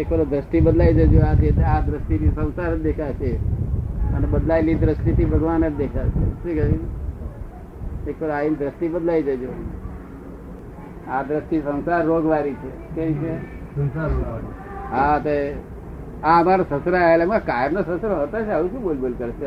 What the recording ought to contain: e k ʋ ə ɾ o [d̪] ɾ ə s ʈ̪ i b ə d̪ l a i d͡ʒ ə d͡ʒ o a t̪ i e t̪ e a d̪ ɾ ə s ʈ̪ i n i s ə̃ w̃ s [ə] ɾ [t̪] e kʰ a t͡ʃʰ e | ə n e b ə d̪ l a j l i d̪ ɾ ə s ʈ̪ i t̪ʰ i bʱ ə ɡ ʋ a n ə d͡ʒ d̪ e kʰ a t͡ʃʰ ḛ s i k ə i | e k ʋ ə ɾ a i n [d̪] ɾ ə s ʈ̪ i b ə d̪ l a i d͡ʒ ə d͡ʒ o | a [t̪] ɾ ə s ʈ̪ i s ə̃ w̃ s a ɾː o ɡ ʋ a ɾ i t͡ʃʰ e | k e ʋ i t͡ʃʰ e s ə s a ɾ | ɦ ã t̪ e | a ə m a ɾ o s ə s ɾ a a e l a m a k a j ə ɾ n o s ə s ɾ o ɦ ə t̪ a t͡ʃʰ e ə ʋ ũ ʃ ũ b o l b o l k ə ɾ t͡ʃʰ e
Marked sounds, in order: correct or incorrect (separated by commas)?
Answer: correct, incorrect, incorrect, correct, incorrect